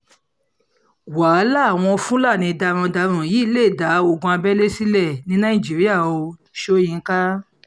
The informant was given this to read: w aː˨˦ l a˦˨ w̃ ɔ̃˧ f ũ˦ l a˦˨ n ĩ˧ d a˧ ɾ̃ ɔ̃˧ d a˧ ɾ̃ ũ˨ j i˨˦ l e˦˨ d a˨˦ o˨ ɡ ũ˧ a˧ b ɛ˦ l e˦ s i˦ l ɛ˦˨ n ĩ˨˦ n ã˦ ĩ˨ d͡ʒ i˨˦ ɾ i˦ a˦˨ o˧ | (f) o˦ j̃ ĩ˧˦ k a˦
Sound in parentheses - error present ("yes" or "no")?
yes